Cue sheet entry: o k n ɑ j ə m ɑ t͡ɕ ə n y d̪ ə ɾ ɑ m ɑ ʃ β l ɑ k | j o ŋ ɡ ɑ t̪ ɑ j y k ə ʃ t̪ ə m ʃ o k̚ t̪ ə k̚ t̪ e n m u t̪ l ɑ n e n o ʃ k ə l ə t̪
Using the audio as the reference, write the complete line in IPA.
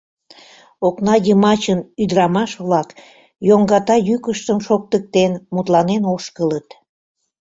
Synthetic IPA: o k n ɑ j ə m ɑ t͡ɕ ə n y d̪ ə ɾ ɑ m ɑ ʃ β l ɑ k | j o ŋ ɡ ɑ t̪ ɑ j y k ə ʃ t̪ ə m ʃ o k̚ t̪ ə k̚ t̪ e n m u t̪ l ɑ n e n o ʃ k ə l ə t̪